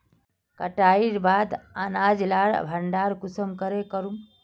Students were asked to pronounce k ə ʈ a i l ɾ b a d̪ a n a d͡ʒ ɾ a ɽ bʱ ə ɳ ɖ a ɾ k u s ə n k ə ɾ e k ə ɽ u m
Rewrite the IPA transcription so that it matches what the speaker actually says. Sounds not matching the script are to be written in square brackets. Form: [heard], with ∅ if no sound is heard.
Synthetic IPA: k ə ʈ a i [∅] ɾ b a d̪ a n a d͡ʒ [l] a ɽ bʱ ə ɳ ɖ a ɾ k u s ə [m] k ə ɾ e k ə [ɾ] u m